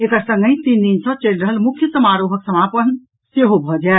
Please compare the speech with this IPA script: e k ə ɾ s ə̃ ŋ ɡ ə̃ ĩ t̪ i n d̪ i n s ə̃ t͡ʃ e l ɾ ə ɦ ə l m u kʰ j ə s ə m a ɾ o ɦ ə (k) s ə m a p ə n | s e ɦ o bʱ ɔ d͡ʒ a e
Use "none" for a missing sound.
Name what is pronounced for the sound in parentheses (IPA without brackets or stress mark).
k